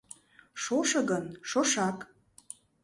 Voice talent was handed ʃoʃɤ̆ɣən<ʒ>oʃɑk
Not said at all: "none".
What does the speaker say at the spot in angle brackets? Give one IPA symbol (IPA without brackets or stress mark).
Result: ʃ